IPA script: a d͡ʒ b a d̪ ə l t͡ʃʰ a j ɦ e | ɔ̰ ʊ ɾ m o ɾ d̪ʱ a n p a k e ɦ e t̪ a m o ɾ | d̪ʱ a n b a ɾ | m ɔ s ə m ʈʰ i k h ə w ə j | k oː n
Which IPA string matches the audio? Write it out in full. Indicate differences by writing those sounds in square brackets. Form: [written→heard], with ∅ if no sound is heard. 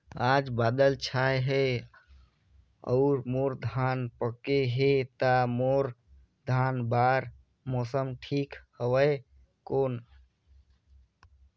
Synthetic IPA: a d͡ʒ b a d̪ ə l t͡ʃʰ a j ɦ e | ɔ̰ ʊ ɾ m o ɾ d̪ʱ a n p [a→ə] k e ɦ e t̪ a m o ɾ | d̪ʱ a n b a ɾ | m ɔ s ə m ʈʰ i k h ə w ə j | k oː n